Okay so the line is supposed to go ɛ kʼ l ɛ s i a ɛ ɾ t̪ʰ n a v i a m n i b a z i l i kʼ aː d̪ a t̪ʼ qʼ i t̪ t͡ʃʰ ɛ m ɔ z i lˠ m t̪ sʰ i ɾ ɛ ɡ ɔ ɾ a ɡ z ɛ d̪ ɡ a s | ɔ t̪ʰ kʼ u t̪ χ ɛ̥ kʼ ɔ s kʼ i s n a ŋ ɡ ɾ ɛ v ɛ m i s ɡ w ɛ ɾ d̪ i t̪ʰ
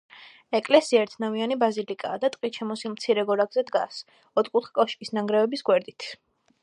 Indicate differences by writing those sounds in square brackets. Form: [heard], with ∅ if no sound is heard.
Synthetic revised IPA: ɛ kʼ l ɛ s i a ɛ ɾ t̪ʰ n a v i a [∅] n i b a z i l i kʼ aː d̪ a t̪ʼ qʼ i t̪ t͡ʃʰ ɛ m ɔ [s] i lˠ m t̪ sʰ i ɾ ɛ ɡ ɔ ɾ a ɡ z ɛ d̪ ɡ a s | ɔ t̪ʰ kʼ u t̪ χ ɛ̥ kʼ ɔ [ʃ] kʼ i s n a ŋ ɡ ɾ ɛ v ɛ [b] i s ɡ w ɛ ɾ d̪ i t̪ʰ